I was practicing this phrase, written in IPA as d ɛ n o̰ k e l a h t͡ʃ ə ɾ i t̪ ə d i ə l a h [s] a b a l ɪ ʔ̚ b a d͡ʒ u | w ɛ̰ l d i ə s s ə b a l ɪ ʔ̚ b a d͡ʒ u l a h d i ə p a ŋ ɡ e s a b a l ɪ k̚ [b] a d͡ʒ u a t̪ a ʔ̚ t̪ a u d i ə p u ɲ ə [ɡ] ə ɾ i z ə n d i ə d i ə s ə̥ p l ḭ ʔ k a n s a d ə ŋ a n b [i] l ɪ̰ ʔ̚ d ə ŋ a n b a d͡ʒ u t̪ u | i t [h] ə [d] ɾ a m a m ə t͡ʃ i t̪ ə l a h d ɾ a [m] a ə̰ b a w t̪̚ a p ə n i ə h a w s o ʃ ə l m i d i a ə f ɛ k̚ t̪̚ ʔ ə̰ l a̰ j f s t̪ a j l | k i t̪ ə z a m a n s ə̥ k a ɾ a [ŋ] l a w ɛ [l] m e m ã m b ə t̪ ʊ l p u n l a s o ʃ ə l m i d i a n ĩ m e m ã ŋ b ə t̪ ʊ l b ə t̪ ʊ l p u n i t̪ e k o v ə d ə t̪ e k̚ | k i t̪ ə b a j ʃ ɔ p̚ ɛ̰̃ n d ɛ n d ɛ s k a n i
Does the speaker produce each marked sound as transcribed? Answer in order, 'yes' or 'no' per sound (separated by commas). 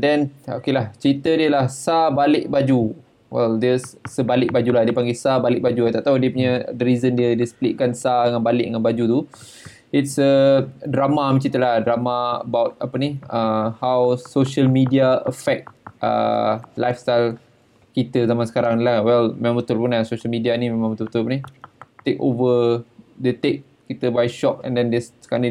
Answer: yes, yes, no, no, no, yes, yes, yes, yes